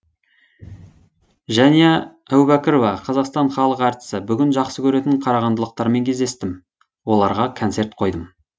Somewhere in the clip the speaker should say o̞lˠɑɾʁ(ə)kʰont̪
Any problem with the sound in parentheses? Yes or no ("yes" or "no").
yes